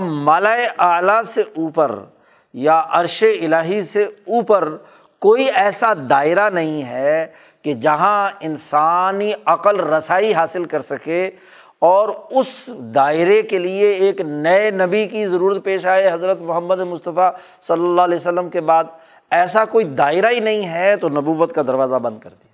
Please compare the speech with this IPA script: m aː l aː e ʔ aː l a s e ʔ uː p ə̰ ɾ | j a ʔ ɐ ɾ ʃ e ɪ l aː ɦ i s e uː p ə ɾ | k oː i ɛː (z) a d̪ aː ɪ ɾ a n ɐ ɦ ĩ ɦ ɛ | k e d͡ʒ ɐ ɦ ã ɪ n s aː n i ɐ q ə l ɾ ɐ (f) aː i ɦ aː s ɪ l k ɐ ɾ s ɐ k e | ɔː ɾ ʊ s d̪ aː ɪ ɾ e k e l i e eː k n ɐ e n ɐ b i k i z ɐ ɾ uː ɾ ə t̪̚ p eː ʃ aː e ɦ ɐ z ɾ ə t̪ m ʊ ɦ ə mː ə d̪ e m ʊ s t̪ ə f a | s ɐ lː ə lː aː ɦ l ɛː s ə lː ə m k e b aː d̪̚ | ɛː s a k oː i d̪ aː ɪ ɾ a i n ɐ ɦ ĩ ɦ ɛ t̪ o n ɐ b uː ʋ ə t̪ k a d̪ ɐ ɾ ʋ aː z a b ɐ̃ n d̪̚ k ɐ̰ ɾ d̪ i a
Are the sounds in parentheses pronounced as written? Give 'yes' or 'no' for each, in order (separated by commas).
no, no